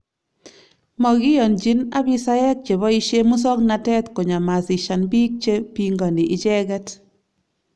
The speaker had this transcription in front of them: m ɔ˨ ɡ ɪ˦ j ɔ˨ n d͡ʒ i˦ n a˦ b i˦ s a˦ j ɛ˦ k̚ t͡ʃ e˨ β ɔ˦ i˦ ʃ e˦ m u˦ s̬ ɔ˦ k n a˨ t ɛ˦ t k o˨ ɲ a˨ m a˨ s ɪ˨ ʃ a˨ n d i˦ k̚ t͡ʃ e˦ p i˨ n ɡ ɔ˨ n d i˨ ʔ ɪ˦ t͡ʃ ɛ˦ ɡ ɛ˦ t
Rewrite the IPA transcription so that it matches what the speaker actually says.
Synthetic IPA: m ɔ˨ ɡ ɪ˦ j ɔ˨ n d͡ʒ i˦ n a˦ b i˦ s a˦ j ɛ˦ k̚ t͡ʃ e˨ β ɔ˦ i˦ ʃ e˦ m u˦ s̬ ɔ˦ k n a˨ t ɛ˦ t k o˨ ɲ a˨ m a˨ s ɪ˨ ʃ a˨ n b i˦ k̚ t͡ʃ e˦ p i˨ ŋ ɡ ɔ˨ n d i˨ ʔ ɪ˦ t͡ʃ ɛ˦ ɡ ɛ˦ t